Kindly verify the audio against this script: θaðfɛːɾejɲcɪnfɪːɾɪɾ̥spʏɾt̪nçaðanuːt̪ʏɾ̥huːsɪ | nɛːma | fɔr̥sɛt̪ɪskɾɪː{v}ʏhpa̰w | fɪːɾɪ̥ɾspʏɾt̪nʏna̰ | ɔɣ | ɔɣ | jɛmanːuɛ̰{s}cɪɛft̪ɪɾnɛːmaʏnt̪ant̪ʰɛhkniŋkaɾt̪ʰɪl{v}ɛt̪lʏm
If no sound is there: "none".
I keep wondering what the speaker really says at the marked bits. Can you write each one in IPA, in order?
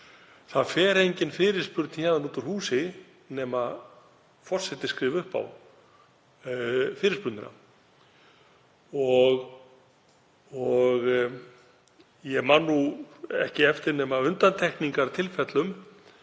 v, h, f

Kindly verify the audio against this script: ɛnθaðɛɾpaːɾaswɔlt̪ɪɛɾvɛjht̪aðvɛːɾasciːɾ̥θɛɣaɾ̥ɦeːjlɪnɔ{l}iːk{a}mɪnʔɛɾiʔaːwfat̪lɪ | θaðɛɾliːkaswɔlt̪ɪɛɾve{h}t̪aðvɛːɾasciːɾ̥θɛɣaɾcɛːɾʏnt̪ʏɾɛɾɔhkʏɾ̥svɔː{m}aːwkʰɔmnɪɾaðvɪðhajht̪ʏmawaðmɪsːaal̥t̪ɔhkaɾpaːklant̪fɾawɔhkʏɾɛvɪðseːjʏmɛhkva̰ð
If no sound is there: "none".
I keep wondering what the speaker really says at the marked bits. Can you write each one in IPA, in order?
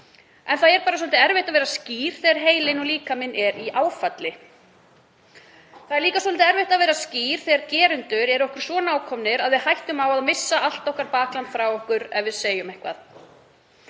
l, a, h, n

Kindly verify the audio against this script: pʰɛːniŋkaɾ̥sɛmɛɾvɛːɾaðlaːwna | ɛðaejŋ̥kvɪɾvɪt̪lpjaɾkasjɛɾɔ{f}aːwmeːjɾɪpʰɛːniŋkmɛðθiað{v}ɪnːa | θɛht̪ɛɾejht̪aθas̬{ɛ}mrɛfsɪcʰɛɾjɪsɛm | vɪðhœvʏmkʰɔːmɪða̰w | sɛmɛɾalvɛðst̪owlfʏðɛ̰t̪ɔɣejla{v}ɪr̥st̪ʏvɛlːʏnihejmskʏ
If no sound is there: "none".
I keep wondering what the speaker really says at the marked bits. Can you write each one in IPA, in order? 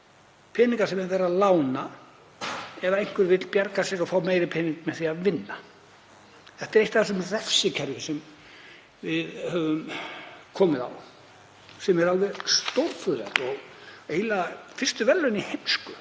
f, v, ɛ, f

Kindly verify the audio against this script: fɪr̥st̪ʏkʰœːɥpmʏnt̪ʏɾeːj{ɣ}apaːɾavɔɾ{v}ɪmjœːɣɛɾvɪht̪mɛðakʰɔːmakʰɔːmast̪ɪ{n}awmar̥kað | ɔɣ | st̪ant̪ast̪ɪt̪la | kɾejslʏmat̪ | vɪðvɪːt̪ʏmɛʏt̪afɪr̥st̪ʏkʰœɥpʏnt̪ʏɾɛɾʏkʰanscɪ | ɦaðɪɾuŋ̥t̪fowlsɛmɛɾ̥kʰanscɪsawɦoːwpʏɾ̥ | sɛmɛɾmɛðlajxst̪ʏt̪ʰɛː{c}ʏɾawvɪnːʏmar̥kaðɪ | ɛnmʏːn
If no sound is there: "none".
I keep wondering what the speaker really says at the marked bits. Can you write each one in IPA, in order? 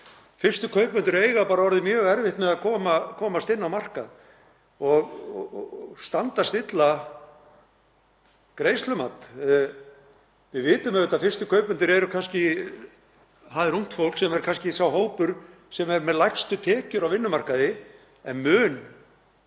ɣ, ð, nː, c

